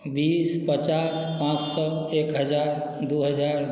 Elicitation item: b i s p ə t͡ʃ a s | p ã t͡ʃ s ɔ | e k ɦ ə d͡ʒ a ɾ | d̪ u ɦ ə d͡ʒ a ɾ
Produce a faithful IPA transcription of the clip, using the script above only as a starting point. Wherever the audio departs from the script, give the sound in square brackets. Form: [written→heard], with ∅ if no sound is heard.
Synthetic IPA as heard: b i s p ə t͡ʃ a s | p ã t͡ʃ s ɔ | e k ɦ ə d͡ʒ a ɾ | d̪ u ɦ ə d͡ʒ a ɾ

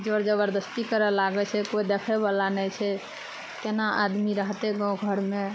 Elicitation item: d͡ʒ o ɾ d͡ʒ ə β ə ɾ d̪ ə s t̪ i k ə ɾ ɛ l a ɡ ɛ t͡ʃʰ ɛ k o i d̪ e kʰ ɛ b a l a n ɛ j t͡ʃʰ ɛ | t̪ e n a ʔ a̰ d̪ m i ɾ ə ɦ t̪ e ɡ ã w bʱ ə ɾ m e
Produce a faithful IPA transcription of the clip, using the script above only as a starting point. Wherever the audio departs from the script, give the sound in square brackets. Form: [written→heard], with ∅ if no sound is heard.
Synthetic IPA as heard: d͡ʒ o ɾ d͡ʒ ə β ə ɾ d̪ ə s t̪ i k ə ɾ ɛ l a ɡ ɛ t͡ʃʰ ɛ k o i d̪ e kʰ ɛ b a l a n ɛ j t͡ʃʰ ɛ | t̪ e n a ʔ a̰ d̪ m i ɾ ə ɦ t̪ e ɡ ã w [bʱ→ɡʱ] ə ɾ m e

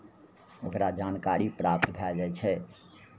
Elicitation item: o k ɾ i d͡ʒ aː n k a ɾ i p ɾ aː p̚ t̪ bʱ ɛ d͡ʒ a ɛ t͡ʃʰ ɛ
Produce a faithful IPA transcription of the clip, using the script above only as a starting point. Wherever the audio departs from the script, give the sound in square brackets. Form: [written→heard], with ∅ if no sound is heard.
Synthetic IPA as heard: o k ɾ [i→a] d͡ʒ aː n k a ɾ i p ɾ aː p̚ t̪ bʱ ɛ d͡ʒ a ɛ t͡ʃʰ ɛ

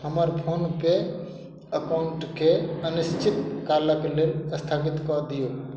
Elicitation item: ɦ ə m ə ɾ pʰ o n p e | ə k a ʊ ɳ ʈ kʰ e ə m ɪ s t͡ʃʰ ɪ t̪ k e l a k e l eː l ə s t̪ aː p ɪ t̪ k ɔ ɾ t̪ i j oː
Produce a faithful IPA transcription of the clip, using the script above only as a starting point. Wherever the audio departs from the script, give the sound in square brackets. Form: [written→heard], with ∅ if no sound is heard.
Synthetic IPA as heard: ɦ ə m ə ɾ pʰ o n p e | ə k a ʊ ɳ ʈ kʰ e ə [m→n] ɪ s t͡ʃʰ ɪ t̪ k [e→a] l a k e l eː l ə s [t̪→t̪ʰ] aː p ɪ t̪ k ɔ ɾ [t̪→d̪] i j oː

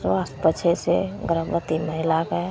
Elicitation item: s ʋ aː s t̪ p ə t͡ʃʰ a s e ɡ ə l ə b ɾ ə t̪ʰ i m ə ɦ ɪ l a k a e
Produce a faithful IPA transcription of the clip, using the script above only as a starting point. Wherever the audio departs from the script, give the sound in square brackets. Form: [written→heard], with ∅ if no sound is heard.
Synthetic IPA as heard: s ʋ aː s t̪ p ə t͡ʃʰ [a→e] s e ɡ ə [l→ɾ] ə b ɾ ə [t̪ʰ→t̪] i m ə ɦ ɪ l a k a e

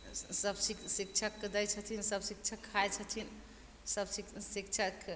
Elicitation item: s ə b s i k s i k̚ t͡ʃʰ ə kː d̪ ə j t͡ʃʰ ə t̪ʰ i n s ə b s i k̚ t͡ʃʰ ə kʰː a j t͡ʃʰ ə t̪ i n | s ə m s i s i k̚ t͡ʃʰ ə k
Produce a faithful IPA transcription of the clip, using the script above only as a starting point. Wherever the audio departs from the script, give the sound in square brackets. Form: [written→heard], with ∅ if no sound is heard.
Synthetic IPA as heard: s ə b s i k s i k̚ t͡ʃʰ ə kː d̪ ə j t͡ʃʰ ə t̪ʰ i n s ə b s i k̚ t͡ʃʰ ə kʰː a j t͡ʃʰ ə [t̪→t̪ʰ] i n | s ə [m→b] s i s i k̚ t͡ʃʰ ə k

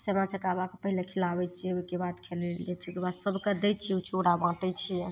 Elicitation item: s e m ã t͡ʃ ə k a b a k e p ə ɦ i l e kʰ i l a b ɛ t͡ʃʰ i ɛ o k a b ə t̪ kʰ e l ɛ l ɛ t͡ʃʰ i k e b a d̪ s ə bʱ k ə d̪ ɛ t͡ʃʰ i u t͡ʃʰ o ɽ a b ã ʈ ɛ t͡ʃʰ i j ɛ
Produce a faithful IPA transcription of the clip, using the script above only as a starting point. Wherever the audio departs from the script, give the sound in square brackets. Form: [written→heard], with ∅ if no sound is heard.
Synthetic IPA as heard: s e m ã t͡ʃ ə k a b a k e p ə ɦ i l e kʰ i l a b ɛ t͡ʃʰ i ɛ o k [a→e] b [ə→a] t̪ kʰ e l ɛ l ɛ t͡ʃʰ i k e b a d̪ s ə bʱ k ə d̪ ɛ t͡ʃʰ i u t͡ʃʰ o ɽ a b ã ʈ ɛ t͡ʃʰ i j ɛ

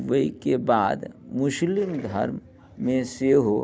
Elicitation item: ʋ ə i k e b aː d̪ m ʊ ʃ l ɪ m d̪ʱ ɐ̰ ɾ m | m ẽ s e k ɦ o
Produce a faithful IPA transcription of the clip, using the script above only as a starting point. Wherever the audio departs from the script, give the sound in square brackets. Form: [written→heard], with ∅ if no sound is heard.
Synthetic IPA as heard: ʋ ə i k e b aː d̪ m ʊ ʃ l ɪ m d̪ʱ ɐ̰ ɾ m | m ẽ s e [k→∅] ɦ o

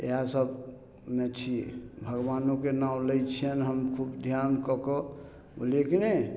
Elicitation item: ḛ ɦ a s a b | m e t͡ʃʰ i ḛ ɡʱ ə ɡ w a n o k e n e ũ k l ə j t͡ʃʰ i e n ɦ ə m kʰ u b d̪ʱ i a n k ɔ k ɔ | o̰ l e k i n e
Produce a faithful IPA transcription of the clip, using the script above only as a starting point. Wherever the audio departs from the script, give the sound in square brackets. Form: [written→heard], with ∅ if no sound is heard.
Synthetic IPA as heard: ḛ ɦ a s [a→ə] b | m e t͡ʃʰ i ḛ [ɡʱ→bʱ] ə ɡ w a n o k e n [e→a] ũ [k→∅] l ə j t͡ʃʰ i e n ɦ ə m kʰ u b d̪ʱ [i→j] a n k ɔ k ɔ | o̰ l e k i n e

